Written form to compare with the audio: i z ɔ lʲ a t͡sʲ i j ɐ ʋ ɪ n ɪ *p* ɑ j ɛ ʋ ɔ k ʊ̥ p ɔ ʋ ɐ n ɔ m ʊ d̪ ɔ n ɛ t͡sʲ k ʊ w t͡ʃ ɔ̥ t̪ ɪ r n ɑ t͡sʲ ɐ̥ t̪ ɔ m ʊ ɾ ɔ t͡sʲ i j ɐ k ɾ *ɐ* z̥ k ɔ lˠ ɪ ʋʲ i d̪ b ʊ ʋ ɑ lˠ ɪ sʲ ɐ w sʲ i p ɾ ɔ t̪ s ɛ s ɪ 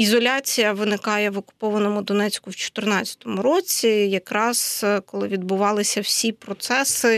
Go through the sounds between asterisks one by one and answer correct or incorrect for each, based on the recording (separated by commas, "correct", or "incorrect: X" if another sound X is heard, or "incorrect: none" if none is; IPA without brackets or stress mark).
incorrect: k, incorrect: ɑ